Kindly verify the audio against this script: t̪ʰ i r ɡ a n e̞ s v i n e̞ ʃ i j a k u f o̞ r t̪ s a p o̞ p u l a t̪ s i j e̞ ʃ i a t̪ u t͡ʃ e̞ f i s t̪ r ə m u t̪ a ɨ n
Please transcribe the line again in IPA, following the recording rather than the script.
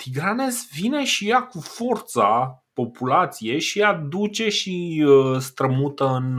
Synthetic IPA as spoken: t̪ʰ i ɡ a n e̞ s v i n e̞ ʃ i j a k u f o̞ r t̪ s a p o̞ p u l a t̪ s i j e̞ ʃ i a d̪ u t͡ʃ e̞ ʃ i s t̪ ɾ ə m u t̪ ə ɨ n